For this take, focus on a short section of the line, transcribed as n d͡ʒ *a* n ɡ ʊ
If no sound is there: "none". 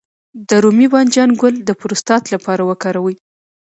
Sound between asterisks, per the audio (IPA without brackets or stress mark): ɑ